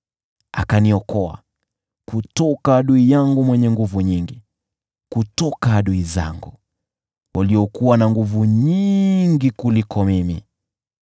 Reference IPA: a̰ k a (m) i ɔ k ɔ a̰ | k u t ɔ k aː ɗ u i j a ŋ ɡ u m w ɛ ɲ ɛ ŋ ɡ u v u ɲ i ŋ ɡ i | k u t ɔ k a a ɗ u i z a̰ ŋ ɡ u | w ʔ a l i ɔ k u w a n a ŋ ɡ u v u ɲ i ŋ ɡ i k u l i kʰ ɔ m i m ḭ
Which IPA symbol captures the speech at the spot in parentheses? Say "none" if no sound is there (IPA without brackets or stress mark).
n